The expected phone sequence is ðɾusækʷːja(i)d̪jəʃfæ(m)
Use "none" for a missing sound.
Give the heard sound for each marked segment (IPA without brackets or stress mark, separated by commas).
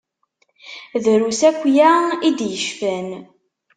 i, n